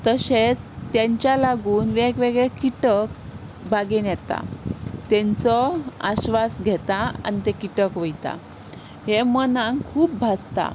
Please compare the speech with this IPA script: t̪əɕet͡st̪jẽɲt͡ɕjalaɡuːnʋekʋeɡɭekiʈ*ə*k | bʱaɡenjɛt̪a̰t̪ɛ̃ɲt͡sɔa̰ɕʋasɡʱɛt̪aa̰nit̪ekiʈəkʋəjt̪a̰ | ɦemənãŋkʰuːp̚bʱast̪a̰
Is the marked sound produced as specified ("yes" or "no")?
yes